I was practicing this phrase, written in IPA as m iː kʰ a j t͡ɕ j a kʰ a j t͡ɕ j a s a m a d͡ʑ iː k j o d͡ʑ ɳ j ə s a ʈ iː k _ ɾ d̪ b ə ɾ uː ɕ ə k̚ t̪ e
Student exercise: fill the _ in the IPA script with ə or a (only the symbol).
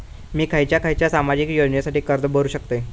ə